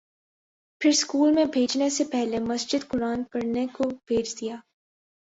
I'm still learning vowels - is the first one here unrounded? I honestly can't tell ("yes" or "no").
yes